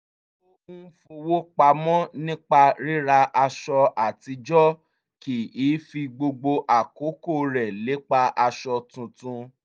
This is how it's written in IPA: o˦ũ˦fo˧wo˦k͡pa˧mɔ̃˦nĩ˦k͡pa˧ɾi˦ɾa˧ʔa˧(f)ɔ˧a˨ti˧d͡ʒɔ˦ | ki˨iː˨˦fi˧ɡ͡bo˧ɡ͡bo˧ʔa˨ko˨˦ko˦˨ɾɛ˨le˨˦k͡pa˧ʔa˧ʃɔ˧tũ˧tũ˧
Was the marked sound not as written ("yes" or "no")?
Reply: yes